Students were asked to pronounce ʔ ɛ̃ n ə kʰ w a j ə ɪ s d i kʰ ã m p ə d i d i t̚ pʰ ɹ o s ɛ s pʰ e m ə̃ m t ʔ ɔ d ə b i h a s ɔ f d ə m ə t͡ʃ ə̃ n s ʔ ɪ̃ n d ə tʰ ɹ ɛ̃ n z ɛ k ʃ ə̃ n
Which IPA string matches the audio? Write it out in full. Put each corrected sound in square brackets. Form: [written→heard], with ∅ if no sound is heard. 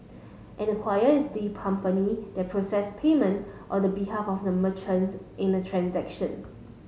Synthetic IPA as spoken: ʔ ɛ̃ n ə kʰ w a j ə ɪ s d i kʰ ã m p ə [d→n] i d [i→ɛ] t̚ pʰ ɹ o s ɛ s pʰ e m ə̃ [m→n] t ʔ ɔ d ə b i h a [s→f] ɔ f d ə m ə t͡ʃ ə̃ n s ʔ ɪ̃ n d ə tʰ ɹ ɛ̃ n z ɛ k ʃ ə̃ n